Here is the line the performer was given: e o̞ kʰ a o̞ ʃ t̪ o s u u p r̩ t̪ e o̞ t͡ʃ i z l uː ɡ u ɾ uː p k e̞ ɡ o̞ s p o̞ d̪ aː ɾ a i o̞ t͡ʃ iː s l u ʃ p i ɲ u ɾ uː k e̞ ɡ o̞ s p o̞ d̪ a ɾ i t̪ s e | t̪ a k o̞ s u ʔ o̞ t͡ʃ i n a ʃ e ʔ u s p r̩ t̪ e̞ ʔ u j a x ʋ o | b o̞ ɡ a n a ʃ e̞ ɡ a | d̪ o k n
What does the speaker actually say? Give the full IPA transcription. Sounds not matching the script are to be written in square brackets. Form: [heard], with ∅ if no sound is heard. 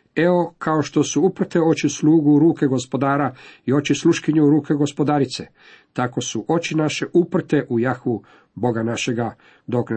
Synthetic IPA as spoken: e o̞ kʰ a o̞ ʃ t̪ o s u u p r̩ t̪ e o̞ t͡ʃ i [s] l uː ɡ u ɾ uː [∅] k e̞ ɡ o̞ s p o̞ d̪ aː ɾ a i o̞ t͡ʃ [i] s l u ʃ [k] i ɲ u ɾ uː k e̞ ɡ o̞ s p o̞ d̪ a ɾ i t̪ s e | t̪ a k o̞ s u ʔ o̞ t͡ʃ i n a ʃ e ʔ u [∅] p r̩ t̪ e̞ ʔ u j a x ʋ [u] | b o̞ ɡ a n a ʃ e̞ ɡ a | d̪ o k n